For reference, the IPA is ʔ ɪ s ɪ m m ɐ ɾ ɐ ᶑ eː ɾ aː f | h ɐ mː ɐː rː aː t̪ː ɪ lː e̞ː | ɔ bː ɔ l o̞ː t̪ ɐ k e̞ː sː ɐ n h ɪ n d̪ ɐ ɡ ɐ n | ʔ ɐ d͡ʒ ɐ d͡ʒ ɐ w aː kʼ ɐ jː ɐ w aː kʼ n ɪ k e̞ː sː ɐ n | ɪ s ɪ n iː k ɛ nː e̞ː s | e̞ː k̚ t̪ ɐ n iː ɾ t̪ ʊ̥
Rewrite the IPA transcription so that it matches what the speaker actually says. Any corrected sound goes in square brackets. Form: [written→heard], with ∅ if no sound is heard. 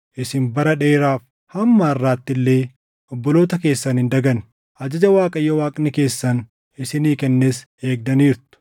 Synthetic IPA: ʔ ɪ s ɪ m [m→b] ɐ ɾ ɐ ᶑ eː ɾ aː f | h ɐ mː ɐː rː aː t̪ː ɪ lː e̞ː | ɔ bː ɔ l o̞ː t̪ ɐ k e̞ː sː ɐ n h ɪ n d̪ ɐ ɡ ɐ n | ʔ ɐ d͡ʒ ɐ d͡ʒ ɐ w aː kʼ ɐ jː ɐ w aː kʼ n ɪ k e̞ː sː ɐ n | ɪ s ɪ n iː k ɛ nː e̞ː s | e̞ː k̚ [t̪→d̪] ɐ n iː ɾ t̪ ʊ̥